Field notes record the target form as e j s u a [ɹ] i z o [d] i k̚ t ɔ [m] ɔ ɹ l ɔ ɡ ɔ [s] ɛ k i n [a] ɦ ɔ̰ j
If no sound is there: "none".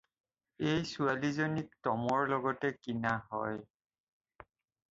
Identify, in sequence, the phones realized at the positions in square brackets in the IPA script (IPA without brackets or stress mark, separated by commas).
l, n, m, t, a